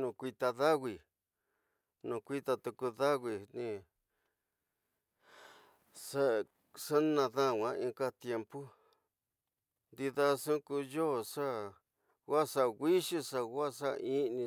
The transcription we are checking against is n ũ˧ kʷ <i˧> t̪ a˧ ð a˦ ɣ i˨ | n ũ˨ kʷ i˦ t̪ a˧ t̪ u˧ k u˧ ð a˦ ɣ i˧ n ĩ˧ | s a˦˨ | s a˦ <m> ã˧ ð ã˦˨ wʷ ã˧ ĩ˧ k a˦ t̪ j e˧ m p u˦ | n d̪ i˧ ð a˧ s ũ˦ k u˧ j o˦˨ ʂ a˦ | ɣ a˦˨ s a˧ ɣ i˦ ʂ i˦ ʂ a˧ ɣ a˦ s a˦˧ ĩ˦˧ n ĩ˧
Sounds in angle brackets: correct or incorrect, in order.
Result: correct, incorrect: n

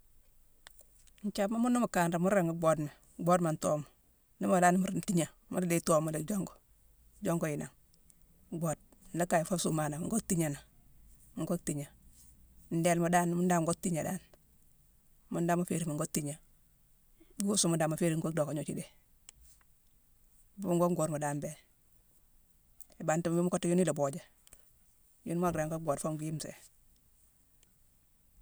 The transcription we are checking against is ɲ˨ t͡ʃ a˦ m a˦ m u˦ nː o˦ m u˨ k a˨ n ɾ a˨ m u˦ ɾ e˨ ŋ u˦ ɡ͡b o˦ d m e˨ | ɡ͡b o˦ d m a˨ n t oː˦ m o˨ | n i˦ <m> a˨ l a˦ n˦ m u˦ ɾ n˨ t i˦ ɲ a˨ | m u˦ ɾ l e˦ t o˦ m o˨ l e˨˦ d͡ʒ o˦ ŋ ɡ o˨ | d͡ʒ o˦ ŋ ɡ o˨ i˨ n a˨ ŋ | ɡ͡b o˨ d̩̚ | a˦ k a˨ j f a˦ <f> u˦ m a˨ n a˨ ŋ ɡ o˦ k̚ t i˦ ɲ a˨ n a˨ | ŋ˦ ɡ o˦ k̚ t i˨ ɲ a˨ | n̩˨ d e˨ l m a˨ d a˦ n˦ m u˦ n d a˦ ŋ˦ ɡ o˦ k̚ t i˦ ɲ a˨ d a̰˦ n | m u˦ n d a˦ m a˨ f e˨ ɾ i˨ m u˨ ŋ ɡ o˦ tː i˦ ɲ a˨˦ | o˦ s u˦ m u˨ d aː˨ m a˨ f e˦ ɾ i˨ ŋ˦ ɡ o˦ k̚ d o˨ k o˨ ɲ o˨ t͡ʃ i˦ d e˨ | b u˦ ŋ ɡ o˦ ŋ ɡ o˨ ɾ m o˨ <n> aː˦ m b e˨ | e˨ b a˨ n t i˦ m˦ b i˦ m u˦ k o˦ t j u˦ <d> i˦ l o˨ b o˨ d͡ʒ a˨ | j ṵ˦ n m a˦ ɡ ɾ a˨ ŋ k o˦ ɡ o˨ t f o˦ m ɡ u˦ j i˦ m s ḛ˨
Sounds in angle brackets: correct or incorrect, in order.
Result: correct, incorrect: s, incorrect: d, incorrect: n

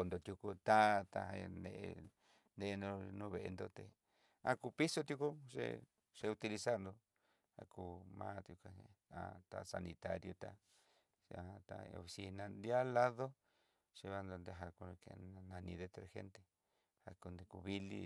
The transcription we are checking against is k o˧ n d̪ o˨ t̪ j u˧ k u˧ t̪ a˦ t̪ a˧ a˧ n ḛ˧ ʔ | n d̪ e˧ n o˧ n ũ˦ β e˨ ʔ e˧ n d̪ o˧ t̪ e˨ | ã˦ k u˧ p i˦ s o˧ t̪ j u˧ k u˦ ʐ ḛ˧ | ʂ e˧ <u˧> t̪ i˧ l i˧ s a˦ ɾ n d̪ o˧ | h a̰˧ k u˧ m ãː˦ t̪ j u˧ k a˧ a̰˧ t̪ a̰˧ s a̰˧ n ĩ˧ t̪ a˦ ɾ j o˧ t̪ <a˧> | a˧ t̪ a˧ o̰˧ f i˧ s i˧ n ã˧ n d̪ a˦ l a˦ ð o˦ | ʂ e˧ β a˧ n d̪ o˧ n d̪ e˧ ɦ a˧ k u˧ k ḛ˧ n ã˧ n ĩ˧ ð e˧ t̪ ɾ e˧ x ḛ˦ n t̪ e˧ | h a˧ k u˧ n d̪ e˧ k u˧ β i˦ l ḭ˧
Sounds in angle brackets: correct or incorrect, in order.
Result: correct, correct

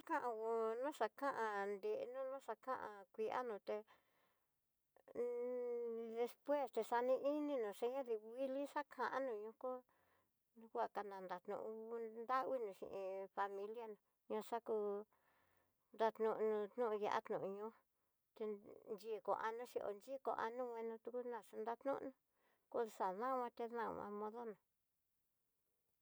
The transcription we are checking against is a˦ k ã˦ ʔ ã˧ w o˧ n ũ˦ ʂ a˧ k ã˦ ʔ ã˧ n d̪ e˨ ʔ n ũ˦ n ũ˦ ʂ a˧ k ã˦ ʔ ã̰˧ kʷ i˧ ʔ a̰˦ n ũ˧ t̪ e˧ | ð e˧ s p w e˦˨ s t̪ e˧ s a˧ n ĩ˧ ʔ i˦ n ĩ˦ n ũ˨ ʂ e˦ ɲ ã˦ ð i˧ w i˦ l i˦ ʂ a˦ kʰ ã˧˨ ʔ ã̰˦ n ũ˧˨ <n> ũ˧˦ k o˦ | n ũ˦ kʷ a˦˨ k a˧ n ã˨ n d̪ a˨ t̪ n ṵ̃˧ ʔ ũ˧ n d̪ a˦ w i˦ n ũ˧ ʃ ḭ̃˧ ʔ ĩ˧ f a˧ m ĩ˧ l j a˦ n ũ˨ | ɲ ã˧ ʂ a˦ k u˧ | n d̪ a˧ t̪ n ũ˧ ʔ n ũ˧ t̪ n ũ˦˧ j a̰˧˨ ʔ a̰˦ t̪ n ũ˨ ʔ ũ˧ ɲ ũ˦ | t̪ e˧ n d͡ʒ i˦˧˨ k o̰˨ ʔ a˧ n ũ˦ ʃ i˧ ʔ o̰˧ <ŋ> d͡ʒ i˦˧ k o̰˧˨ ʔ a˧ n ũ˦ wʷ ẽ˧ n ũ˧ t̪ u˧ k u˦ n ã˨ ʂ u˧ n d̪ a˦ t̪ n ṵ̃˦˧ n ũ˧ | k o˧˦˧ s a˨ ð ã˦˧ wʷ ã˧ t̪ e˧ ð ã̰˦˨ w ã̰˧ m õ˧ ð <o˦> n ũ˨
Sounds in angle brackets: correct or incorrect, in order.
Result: incorrect: ɲ, incorrect: n, correct

